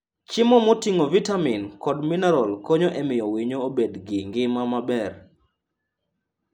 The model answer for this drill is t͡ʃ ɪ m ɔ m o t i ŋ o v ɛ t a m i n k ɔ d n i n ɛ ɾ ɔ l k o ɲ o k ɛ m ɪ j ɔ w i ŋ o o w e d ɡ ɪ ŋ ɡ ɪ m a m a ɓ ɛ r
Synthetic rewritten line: t͡ʃ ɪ m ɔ m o t i ŋ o v i t a m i n k ɔ d m i n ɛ ɾ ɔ l k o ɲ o ʔ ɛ m ɪ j ɔ w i ɲ o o b e d ɡ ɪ ŋ ɡ ɪ m a m a b ɛ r